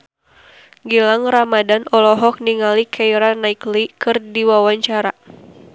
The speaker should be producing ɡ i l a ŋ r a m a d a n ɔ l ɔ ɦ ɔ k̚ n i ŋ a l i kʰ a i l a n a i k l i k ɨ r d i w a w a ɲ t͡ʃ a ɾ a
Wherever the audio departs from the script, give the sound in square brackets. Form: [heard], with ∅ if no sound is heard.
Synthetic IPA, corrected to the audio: ɡ i l a ŋ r a m a d a n ɔ l ɔ ɦ ɔ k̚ n i ŋ a l i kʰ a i [ɾ] a n a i k l i k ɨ r d i w a w a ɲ t͡ʃ a ɾ a